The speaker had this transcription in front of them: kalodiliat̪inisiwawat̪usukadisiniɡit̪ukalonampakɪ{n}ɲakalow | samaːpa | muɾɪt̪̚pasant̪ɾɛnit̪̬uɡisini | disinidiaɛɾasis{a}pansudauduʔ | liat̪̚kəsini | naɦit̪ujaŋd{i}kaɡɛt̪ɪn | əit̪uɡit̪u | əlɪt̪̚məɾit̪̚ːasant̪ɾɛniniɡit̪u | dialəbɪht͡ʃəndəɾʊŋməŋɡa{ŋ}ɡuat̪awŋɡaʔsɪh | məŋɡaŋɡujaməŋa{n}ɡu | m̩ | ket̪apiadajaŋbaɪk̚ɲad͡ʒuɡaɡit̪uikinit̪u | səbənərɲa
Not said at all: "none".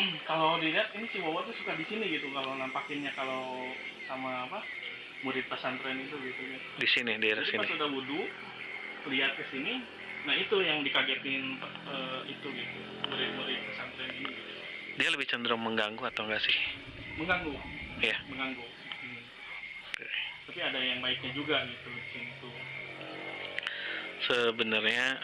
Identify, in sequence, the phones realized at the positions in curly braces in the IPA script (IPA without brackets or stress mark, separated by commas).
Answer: n, i, i, ŋ, ŋ